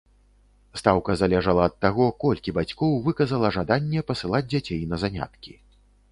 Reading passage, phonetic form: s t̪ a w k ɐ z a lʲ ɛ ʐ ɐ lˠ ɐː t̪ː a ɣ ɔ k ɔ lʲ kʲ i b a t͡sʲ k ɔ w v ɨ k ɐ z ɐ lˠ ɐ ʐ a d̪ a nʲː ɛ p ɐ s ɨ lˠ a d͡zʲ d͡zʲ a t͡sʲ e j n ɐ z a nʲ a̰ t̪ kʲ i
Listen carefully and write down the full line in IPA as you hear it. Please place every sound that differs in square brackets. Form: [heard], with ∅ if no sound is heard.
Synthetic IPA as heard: s t̪ a w k ɐ z a lʲ ɛ ʐ ɐ lˠ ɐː t̪ː a ɣ ɔ k ɔ lʲ kʲ i b a t͡sʲ k ɔ w v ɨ k ɐ z ɐ lˠ ɐ ʐ a d̪ a nʲː ɛ p ɐ s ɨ lˠ a d͡zʲ d͡zʲ a t͡sʲ e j n ɐ z a nʲ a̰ t̪ kʲ i